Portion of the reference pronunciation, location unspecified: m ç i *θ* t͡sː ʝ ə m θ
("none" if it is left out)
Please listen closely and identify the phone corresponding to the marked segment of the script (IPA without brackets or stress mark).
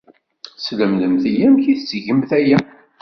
θ